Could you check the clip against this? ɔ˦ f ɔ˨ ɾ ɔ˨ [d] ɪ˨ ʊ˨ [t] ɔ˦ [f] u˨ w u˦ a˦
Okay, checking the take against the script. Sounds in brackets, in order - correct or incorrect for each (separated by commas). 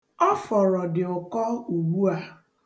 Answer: correct, incorrect, incorrect